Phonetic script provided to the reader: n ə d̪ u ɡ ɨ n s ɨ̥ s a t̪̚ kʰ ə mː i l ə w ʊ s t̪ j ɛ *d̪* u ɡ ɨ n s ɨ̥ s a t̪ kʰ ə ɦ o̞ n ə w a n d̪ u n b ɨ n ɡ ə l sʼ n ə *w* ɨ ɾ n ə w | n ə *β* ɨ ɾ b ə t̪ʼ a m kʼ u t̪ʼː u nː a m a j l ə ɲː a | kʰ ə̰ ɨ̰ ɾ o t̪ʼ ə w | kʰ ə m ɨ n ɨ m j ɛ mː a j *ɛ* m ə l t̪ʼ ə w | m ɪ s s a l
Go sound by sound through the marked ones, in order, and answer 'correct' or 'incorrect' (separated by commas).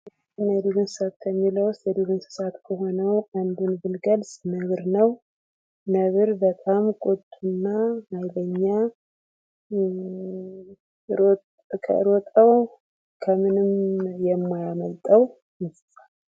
correct, incorrect, correct, incorrect